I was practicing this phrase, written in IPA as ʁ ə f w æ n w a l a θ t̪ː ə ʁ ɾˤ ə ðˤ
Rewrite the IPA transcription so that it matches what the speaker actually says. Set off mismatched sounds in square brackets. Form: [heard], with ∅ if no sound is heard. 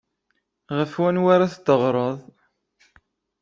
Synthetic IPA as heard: ʁ ə f w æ n w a [ɾ] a θ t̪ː ə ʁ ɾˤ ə ðˤ